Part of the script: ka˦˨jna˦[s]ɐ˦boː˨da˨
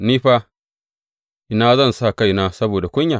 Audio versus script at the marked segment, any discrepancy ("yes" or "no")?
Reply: no